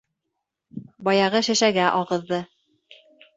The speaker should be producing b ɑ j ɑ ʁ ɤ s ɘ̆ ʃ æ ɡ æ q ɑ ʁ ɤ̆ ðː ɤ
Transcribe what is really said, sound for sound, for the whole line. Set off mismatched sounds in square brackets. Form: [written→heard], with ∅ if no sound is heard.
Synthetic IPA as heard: b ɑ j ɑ ʁ ɤ [s→ʃ] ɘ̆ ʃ æ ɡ æ [q→ʔ] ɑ ʁ ɤ̆ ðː ɤ